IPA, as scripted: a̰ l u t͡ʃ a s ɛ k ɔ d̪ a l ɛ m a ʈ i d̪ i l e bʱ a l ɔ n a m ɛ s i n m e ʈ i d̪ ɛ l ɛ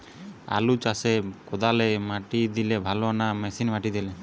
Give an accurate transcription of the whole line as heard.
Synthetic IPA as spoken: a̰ l u t͡ʃ a s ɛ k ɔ d̪ a l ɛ m a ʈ i d̪ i l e bʱ a l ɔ n a m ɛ s i n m a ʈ i d̪ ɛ l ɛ

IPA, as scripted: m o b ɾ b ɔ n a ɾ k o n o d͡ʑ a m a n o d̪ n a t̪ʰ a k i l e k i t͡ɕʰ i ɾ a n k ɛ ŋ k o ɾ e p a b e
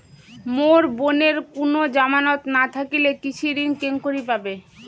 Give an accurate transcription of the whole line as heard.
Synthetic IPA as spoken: m o ɾ b o n e ɾ k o n o d͡ʑ a m a n o t̪ n a t̪ʰ a k i l e k i t͡ɕʰ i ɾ i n k e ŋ k o ɾ i p a b e

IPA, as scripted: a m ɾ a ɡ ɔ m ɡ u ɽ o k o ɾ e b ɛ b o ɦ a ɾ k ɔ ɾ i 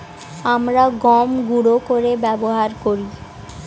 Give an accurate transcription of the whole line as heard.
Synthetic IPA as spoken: a m ɾ a ɡ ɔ m ɡ u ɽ o k o ɾ e b ɛ b o ɦ a ɾ k o ɾ i

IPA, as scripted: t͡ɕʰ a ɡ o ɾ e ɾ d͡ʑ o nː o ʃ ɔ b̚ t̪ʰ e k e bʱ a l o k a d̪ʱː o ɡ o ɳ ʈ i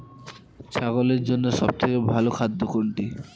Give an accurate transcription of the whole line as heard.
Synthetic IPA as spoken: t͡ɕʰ a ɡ o l e ɾ d͡ʑ o nː o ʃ ɔ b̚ t̪ʰ e k e bʱ a l o kʰ a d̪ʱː o k o ɳ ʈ i

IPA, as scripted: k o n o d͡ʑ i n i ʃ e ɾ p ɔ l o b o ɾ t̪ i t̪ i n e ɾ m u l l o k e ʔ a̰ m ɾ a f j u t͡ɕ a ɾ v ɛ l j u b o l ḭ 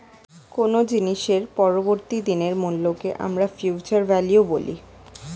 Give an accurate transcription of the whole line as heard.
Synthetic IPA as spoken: k o n o d͡ʑ i n i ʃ e ɾ p ɔ ɾ o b o ɾ t̪ i d̪ i n e ɾ m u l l o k e ʔ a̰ m ɾ a f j u t͡ɕ a ɾ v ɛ l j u b o l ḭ

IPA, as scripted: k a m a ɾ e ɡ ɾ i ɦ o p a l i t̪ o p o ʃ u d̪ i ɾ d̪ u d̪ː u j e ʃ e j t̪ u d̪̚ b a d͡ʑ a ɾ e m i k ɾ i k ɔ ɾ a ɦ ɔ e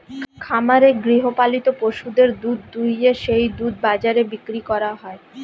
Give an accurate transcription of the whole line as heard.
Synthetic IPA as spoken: kʰ a m a ɾ e ɡ ɾ i ɦ o p a l i t̪ o p o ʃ u d̪ e ɾ d̪ u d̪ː u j e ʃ e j d̪ u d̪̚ b a d͡ʑ a ɾ e b i k ɾ i k ɔ ɾ a ɦ ɔ e

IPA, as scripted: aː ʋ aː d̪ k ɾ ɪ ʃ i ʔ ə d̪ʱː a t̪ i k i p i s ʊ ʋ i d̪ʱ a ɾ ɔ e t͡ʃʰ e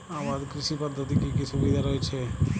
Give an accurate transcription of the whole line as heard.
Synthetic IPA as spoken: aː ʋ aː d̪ k ɾ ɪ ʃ i p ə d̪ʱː ə t̪ i k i k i s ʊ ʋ i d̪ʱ a ɾ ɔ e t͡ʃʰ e

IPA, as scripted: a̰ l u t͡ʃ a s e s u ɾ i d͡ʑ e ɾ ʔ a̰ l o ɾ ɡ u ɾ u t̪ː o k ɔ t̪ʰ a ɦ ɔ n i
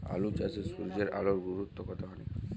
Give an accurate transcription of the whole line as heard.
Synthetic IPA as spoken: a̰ l u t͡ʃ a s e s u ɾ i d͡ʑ e ɾ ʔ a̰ l o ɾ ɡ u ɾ u t̪ː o k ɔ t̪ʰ a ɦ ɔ n i

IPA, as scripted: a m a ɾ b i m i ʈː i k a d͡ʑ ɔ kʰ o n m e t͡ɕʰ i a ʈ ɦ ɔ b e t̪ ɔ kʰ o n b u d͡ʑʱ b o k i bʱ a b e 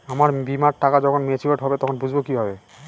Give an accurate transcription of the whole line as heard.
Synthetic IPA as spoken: a m a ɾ b i m a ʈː a k a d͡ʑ ɔ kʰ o n m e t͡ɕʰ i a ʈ ɦ ɔ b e t̪ ɔ kʰ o n b u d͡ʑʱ b o k i bʱ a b e

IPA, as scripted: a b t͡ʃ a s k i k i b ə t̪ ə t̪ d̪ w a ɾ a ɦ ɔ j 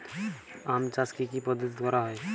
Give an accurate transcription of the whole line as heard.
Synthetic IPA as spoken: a m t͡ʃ a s k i k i p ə d̪ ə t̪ d̪ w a ɾ a ɦ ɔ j

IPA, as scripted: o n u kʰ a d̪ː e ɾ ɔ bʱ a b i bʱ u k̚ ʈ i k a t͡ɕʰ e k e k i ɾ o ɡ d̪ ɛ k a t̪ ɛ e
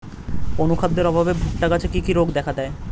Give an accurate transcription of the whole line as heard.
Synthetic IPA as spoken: o n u kʰ a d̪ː e ɾ ɔ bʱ a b e bʱ u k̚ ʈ a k a t͡ɕʰ e k i k i ɾ o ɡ d̪ ɛ kʰ a d̪ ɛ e

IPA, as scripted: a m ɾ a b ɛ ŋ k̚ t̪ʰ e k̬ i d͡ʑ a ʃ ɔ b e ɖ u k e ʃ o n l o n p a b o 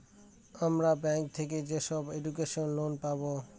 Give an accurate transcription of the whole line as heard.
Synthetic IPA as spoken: a m ɾ a b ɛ ŋ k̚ t̪ʰ e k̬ e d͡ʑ e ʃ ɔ b e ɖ u k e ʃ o n l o n p a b o

